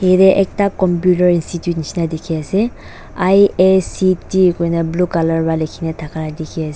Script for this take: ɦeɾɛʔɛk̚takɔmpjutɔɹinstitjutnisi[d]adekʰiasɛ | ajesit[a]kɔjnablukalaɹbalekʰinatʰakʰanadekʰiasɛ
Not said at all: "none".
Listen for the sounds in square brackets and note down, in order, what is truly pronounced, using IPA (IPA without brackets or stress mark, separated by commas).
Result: n, i